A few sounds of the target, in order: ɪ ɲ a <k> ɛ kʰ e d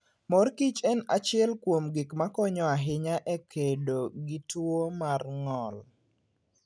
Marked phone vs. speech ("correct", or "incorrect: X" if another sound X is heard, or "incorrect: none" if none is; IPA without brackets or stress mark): incorrect: ʔ